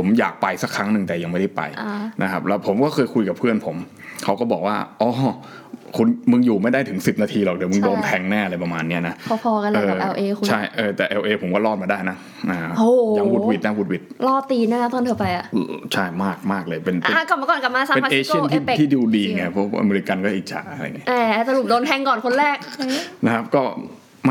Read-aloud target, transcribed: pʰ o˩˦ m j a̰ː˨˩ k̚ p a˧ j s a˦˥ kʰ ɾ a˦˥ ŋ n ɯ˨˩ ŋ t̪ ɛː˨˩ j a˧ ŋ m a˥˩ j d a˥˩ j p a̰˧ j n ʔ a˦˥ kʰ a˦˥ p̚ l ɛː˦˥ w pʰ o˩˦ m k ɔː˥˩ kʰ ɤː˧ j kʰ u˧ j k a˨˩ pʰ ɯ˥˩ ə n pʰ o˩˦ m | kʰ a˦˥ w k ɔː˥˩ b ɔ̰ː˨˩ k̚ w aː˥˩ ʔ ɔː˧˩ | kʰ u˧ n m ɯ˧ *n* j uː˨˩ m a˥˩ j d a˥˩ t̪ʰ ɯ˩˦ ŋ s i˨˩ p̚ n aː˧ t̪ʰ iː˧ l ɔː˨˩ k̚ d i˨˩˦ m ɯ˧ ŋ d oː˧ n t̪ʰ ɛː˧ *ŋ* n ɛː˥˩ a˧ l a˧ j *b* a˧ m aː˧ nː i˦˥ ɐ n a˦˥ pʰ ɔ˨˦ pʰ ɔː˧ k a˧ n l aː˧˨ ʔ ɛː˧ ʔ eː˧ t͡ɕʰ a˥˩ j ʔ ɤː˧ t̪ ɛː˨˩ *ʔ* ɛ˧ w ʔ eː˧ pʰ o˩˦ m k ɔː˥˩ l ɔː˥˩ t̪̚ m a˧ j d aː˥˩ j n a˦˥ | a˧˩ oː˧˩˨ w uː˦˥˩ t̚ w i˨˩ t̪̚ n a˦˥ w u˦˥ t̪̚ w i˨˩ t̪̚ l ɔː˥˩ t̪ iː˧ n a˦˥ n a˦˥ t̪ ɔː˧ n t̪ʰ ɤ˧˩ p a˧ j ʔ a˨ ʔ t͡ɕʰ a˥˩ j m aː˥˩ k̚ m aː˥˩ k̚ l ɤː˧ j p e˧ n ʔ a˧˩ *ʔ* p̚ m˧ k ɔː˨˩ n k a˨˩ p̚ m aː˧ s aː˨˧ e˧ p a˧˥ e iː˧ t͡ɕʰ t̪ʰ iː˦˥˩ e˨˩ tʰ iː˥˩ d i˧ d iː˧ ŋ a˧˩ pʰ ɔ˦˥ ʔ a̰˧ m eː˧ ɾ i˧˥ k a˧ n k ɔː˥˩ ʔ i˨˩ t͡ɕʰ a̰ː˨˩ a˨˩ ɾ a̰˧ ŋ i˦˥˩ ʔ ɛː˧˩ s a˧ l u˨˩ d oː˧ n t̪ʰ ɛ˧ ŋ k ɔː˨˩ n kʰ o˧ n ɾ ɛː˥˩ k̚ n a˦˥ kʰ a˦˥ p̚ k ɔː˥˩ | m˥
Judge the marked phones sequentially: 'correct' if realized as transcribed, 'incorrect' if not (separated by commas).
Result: incorrect, correct, incorrect, correct, incorrect